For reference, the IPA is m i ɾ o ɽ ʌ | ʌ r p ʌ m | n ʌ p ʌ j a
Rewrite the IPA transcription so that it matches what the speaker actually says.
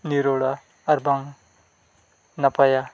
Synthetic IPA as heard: n i ɾ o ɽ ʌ | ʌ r b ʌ ŋ | n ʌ p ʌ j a